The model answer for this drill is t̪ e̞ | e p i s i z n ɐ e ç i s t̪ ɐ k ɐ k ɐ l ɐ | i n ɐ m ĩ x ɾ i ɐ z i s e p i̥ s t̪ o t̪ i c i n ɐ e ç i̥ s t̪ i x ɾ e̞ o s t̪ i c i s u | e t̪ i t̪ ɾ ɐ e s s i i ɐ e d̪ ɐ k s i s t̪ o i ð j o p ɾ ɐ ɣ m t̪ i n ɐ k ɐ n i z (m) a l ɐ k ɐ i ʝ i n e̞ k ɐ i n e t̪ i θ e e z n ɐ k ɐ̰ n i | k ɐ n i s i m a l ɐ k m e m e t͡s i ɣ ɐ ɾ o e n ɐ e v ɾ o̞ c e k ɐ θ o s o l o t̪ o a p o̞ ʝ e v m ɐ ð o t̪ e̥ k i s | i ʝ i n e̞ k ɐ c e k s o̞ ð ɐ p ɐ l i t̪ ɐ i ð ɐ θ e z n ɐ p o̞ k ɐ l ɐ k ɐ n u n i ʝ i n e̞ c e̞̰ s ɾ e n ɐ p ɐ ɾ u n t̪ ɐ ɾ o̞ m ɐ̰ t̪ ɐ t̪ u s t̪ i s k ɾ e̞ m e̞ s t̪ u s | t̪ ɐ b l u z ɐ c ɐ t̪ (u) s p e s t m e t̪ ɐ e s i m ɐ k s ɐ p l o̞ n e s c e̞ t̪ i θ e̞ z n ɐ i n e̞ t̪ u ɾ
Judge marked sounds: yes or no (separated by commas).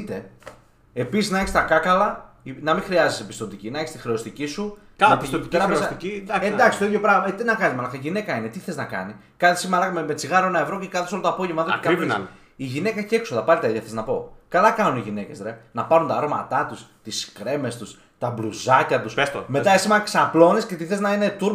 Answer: yes, yes